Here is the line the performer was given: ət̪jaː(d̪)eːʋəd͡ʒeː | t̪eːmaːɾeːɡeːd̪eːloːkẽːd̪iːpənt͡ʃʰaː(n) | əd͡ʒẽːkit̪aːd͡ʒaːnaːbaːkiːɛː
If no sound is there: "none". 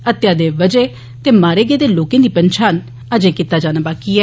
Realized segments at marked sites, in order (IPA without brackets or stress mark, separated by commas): d̪, n